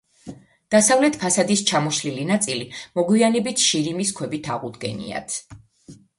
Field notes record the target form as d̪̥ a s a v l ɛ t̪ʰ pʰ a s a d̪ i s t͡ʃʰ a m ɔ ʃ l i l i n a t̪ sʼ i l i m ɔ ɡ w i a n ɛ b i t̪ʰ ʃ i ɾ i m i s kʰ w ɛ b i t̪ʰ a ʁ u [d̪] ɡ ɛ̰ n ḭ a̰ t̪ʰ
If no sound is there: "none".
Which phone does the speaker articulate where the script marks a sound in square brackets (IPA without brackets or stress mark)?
d̪